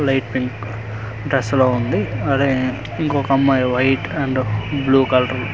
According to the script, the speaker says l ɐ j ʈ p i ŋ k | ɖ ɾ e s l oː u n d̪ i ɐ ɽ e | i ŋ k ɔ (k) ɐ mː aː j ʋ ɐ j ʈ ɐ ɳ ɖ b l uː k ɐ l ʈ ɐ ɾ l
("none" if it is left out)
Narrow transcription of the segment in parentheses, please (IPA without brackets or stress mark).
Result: k